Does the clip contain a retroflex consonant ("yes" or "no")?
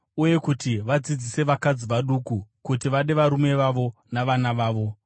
no